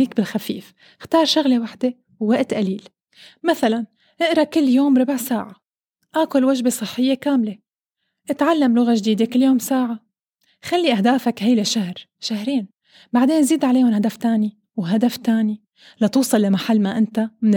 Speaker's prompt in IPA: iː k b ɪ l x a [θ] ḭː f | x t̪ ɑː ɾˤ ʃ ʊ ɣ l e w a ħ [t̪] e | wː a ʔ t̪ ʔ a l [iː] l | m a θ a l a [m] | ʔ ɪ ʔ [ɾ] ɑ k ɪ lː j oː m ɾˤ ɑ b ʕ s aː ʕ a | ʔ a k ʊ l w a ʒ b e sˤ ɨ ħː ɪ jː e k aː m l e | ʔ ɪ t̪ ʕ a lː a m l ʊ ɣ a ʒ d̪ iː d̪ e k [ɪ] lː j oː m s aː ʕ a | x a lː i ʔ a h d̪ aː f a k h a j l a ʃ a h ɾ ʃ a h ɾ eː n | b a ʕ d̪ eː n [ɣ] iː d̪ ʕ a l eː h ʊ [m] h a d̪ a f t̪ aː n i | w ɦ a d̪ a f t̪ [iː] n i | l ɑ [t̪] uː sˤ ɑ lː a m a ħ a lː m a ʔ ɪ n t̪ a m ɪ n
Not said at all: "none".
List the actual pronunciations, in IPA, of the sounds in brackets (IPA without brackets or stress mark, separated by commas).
f, d̪, iː, n, ɾ, ɪ, z, n, aː, t̪